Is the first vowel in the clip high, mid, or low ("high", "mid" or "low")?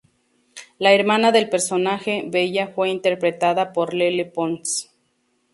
low